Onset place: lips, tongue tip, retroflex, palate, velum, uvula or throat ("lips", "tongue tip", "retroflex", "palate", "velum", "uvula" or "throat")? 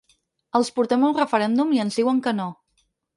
tongue tip